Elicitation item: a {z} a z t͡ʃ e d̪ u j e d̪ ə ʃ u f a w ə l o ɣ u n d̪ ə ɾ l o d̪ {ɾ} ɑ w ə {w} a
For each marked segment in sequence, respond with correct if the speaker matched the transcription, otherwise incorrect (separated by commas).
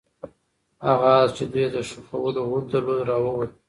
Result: incorrect, correct, correct